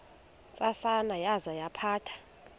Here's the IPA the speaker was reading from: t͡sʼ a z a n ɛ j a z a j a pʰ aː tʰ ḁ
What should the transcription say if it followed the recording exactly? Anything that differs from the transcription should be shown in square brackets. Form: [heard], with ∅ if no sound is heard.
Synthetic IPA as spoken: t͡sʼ a [s] a n [a] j a z a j a pʰ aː tʰ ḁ